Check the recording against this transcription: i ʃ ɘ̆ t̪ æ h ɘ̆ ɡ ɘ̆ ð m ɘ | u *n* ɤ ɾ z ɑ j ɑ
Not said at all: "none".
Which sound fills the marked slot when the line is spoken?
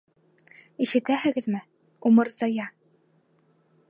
m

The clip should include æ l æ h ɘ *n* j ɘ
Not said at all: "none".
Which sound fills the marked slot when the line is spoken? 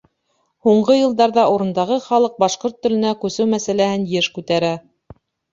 n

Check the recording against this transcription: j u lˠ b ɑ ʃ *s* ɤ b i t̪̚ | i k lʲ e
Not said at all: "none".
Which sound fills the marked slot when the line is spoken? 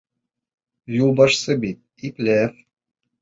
s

